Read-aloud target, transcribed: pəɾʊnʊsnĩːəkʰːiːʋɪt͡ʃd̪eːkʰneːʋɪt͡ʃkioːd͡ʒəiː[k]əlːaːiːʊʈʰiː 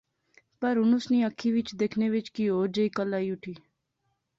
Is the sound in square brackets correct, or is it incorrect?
correct